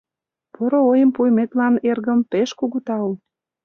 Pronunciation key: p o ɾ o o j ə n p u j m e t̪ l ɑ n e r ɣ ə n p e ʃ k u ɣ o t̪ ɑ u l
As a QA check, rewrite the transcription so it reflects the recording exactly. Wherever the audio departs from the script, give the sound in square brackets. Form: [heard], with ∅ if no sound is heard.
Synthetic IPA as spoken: p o ɾ o o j ə [m] p u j m e t̪ l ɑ n e r ɣ ə [m] p e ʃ k u ɣ [u] t̪ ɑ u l

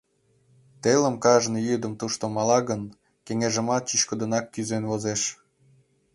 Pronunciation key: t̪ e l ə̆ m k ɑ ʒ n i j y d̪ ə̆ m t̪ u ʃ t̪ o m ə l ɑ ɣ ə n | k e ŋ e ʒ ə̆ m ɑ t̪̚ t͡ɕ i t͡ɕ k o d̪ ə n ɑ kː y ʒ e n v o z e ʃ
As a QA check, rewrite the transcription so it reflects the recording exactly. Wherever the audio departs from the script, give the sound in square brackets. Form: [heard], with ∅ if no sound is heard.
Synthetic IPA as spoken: t̪ e l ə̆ m k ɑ ʒ n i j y d̪ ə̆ m t̪ u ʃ t̪ o m [ɑ] l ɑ ɣ ə n | k e ŋ e ʒ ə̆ m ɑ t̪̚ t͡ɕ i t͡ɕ k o d̪ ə n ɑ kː y [z] e n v o z e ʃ

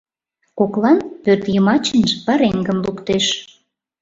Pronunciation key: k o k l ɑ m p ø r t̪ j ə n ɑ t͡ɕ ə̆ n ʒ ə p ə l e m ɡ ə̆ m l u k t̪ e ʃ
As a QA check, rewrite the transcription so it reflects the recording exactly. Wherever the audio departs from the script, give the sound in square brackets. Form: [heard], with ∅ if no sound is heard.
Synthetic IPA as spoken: k o k l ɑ [n] p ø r t̪ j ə [m] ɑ t͡ɕ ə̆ n ʒ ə p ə [ɾ] e [ŋ] ɡ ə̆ m l u k t̪ e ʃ

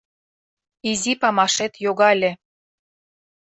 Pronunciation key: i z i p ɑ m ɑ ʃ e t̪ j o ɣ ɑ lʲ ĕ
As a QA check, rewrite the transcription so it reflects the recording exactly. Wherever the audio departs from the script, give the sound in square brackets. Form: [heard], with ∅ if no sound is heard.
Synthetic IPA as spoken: i z i p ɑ m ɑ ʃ e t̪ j o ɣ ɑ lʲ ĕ

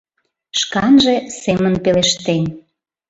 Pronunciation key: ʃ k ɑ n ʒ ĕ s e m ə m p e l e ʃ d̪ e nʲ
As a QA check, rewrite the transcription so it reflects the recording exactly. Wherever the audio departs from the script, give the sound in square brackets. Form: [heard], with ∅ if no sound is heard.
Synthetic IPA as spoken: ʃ k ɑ n ʒ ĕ s e m ə [n] p e l e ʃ [t̪] e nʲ

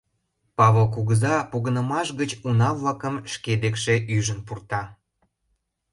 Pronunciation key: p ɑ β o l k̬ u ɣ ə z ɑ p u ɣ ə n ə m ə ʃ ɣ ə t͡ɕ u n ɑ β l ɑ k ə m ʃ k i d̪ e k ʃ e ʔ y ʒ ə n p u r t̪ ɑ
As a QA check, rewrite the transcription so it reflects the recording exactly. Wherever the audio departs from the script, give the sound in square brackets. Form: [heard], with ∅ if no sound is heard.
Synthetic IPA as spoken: p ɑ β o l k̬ u ɣ ə z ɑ p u ɣ ə n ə m [ɑ] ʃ ɣ ə t͡ɕ u n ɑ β l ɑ k ə m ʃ k [e] d̪ e k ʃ e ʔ y ʒ ə n p u r t̪ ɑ

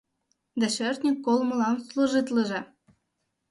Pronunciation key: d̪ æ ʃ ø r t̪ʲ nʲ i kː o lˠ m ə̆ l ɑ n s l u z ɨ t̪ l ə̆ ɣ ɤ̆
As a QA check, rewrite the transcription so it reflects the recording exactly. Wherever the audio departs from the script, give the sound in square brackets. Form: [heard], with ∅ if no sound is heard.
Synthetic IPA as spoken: d̪ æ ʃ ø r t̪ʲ nʲ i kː o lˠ m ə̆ l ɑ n s l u [ʒ] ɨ t̪ l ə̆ [ʒ] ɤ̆

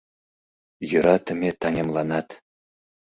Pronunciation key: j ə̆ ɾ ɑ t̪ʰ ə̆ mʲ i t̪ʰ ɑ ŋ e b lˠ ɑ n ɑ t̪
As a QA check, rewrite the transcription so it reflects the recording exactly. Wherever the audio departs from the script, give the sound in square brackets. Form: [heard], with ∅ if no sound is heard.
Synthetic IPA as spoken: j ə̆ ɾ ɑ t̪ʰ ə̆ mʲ [e] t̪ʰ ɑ ŋ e [m] lˠ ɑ n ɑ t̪

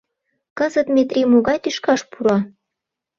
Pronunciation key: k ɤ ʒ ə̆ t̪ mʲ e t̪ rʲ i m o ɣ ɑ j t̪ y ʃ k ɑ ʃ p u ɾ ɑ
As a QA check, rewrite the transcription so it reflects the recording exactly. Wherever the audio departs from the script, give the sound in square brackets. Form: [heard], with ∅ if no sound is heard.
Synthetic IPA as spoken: k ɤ [z] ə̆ t̪ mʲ e t̪ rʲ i m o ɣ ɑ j t̪ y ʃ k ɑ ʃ p u ɾ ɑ

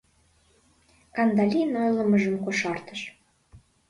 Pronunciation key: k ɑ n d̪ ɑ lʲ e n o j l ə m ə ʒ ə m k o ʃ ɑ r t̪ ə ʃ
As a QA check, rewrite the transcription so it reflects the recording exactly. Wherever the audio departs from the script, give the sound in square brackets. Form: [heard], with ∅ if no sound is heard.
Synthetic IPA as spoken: k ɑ n d̪ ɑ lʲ [i] n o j l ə m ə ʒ ə m k o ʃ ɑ r t̪ ə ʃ

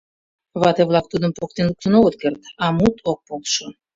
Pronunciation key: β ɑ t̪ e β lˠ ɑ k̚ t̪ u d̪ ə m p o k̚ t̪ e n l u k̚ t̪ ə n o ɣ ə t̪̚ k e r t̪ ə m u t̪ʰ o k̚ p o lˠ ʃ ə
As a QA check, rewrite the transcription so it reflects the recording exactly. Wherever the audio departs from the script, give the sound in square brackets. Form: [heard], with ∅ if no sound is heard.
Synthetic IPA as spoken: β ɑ t̪ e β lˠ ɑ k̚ t̪ u d̪ ə m p o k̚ t̪ e n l u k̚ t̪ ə n o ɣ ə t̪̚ k e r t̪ [ɑ] m u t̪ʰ o k̚ p o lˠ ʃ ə

